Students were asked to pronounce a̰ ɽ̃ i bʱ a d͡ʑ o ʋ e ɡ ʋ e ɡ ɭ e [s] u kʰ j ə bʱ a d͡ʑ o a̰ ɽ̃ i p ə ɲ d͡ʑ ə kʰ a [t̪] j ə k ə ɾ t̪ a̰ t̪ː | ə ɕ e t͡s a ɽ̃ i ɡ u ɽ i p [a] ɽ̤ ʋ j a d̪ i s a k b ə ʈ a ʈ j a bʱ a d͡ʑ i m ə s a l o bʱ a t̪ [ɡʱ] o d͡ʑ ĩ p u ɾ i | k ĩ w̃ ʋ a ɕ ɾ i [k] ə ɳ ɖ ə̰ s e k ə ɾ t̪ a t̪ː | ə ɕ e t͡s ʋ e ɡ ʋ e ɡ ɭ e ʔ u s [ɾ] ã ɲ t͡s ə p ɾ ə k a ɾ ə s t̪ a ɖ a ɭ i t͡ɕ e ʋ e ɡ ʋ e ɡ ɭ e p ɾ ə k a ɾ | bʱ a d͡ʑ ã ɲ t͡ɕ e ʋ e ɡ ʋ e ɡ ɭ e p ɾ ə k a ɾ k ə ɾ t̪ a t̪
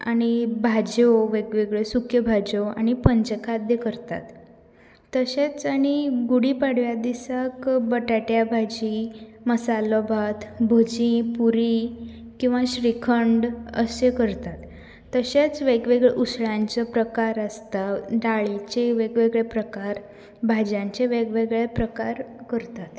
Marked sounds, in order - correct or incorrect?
correct, incorrect: d̪, correct, incorrect: bʱ, incorrect: kʰ, incorrect: ɭ

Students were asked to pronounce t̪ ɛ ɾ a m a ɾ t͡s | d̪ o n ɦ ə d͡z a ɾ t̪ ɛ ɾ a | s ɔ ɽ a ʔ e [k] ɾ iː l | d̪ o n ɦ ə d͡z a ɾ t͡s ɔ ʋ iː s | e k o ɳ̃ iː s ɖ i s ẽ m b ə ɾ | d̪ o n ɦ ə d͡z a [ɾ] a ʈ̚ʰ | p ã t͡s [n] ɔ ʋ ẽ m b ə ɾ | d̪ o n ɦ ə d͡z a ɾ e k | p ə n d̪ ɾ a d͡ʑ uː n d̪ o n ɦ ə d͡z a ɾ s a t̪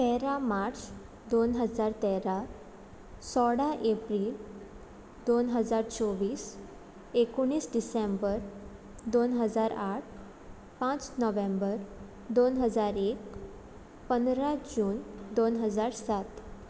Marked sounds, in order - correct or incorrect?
incorrect: p, correct, correct

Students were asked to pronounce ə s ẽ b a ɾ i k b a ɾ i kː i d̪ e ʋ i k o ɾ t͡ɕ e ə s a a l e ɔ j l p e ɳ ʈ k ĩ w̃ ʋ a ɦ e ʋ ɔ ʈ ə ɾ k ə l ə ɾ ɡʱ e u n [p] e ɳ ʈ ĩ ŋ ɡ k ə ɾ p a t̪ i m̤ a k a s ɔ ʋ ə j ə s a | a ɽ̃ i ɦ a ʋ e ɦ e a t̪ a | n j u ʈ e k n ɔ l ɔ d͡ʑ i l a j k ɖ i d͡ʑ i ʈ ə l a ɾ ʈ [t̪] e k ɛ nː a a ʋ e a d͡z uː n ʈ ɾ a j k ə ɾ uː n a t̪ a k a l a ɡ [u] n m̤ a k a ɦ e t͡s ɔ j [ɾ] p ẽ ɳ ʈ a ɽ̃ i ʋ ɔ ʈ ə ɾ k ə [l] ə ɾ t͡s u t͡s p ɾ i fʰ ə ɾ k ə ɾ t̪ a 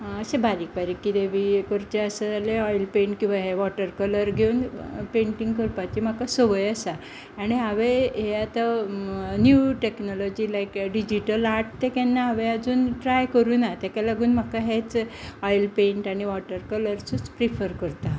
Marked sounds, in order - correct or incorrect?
correct, correct, incorrect: uː, incorrect: l, correct

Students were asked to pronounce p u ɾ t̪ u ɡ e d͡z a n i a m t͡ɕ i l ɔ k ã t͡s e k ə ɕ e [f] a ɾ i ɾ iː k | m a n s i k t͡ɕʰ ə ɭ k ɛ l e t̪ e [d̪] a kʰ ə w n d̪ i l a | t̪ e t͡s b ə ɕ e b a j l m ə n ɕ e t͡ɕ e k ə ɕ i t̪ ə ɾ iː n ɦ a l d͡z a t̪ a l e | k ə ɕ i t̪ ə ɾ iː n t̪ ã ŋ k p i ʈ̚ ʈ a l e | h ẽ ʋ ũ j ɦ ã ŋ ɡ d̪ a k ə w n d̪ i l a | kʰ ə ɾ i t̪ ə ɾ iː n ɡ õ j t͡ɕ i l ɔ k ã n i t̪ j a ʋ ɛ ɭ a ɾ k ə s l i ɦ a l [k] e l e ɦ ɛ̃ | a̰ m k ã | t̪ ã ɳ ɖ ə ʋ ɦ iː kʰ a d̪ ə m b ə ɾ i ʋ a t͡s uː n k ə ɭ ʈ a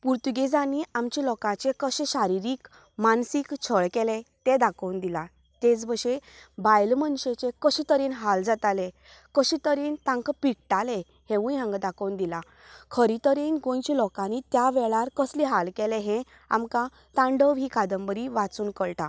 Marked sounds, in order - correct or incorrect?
incorrect: ɕ, correct, correct

